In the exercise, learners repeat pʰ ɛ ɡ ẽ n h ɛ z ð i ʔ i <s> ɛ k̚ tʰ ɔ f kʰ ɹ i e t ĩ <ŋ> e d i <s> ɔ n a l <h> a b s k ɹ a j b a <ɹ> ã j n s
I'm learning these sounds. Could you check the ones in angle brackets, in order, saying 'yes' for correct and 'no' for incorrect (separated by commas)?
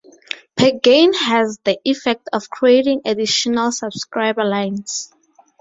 no, yes, no, no, no